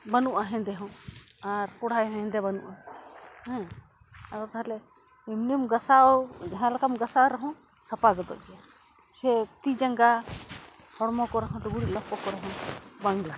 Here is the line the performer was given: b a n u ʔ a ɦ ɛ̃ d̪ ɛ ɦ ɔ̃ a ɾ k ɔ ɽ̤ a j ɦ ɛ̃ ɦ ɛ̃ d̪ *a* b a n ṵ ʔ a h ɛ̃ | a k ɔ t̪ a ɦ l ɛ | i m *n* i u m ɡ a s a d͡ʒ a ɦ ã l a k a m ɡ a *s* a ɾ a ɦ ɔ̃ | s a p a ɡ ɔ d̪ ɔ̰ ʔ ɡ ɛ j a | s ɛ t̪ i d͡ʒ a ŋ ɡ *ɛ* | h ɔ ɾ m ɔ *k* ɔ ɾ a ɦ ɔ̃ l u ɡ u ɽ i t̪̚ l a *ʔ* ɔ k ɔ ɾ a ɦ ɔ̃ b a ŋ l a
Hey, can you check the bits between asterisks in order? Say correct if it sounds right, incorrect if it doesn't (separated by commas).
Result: incorrect, correct, correct, incorrect, correct, incorrect